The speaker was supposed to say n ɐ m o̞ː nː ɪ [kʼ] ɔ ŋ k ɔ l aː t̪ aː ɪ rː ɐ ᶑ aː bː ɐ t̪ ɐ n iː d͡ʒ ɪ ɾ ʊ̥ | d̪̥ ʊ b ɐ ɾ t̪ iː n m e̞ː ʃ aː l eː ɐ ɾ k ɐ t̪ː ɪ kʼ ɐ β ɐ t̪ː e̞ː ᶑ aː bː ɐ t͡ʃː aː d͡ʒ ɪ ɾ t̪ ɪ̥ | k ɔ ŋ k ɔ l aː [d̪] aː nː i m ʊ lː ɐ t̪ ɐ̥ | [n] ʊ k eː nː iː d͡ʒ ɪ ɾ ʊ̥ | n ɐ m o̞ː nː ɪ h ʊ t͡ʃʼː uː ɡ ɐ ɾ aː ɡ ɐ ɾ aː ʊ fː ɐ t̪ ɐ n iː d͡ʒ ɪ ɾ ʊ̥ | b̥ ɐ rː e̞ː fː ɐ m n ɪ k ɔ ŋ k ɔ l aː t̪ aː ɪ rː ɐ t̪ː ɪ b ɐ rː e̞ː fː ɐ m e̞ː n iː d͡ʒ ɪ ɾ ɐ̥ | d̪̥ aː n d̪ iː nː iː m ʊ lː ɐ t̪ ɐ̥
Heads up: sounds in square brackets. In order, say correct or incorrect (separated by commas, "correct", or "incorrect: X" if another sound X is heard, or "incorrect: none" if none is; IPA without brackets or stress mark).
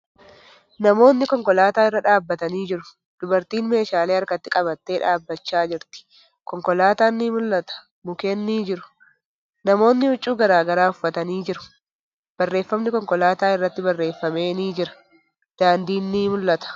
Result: incorrect: k, incorrect: t̪, incorrect: m